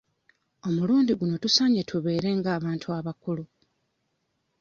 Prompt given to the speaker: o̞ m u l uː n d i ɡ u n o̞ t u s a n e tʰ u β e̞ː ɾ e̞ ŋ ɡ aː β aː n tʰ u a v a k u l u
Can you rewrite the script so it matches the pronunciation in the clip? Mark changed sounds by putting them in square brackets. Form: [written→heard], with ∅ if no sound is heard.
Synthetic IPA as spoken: o̞ m u l uː n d i ɡ u n o̞ t u s a [n→ɲ] e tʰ u β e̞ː ɾ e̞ ŋ ɡ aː β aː n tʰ u a [v→β] a k u l u